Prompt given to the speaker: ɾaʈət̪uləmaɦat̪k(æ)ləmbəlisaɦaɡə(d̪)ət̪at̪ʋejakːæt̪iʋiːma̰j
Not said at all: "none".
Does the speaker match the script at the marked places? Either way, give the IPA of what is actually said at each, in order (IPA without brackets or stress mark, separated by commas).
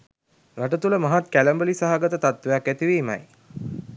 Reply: æ, t̪